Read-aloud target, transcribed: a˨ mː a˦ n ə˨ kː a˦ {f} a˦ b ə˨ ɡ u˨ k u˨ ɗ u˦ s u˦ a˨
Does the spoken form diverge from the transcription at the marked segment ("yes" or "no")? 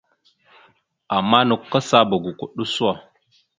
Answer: yes